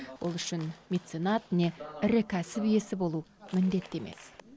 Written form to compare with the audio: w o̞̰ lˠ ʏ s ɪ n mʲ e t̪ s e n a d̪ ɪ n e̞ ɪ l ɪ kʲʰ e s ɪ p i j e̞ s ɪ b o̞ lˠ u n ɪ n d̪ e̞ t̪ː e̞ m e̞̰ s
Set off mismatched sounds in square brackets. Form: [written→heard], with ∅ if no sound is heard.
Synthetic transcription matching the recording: w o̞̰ lˠ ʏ [s→ʃ] ɪ n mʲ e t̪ s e n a [d̪→t̪] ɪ n e̞ ɪ [l→ɾ] ɪ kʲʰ [e→æ] s ɪ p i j e̞ s ɪ b o̞ lˠ u [n→m] ɪ n d̪ e̞ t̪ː e̞ m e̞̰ s